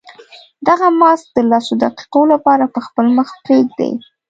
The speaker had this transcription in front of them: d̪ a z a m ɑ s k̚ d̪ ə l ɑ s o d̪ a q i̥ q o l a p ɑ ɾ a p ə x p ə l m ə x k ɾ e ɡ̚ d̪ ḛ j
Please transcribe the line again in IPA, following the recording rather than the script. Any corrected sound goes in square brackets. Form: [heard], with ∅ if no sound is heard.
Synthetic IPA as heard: d̪ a [ɣ] a m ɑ s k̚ d̪ ə l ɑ s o d̪ a q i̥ q o l a p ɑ ɾ a p ə x p ə l m ə x [p] ɾ e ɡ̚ d̪ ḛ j